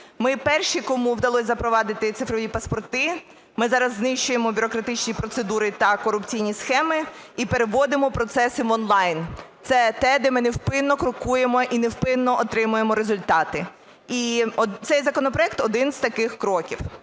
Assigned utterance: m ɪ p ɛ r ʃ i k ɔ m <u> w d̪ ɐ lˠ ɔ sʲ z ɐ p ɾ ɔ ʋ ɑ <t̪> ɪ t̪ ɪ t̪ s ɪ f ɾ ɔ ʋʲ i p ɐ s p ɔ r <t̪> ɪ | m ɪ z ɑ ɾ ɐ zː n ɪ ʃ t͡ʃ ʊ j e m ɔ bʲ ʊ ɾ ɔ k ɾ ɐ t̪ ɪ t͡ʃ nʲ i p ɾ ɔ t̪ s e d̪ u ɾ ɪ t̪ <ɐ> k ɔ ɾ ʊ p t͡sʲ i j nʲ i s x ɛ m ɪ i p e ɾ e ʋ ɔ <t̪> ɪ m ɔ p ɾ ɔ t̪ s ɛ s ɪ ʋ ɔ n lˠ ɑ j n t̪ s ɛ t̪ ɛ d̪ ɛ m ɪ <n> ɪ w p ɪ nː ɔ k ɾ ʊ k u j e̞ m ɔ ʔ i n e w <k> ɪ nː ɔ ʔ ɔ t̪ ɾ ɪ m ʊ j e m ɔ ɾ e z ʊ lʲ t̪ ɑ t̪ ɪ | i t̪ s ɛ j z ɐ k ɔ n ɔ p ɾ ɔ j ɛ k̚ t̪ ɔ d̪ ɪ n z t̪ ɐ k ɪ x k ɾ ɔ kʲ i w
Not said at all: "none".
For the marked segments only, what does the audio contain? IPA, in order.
u, d̪, t̪, ɐ, d̪, n, p

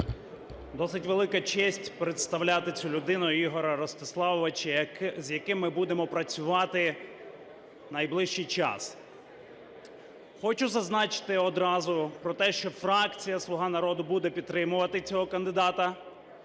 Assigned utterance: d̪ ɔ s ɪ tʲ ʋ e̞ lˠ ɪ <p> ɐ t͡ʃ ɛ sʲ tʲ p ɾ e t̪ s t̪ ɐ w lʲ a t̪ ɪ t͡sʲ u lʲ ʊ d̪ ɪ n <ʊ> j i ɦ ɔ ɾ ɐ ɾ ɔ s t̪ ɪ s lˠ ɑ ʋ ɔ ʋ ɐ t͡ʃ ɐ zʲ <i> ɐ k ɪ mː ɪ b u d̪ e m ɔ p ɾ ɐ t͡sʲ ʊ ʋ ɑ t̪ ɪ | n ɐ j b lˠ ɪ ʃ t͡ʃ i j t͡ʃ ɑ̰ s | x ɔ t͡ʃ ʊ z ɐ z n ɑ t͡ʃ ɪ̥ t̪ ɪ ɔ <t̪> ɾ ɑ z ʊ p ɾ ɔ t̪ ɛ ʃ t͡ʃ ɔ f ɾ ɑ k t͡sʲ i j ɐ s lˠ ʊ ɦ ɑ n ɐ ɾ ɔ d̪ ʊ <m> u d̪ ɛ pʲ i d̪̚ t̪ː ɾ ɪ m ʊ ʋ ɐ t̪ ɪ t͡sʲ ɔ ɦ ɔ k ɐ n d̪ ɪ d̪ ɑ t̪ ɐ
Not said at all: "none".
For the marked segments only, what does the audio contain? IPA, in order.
k, ʊ, j, d̪, b

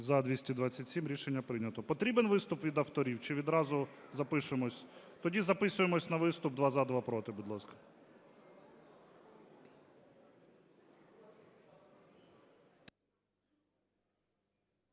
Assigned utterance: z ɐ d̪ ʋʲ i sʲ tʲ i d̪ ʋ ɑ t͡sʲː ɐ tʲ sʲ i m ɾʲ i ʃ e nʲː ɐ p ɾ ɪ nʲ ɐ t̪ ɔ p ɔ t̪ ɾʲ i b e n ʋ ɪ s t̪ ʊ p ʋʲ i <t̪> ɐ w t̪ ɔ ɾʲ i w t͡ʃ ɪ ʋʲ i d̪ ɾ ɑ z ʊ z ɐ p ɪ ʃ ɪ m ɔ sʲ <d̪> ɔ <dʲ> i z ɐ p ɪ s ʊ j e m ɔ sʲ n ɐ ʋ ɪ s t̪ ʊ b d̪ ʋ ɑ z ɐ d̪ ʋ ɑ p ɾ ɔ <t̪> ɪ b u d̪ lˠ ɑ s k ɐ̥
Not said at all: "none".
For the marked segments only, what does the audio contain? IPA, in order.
d̪, t̪, dʲ, t̪

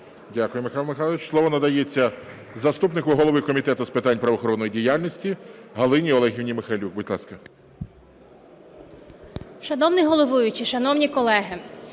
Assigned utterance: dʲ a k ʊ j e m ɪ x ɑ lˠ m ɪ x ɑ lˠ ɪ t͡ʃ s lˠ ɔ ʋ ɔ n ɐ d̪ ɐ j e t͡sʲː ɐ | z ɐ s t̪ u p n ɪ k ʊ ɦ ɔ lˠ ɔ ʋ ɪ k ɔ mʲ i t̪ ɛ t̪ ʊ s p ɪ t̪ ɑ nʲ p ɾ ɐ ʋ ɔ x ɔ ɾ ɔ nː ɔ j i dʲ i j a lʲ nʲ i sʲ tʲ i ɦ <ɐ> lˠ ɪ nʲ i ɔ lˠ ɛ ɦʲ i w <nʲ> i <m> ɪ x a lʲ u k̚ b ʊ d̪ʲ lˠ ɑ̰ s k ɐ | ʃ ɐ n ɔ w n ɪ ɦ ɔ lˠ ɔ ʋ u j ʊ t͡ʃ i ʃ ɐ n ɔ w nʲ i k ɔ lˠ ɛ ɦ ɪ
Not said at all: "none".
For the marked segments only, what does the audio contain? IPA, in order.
ɐ, nʲ, m

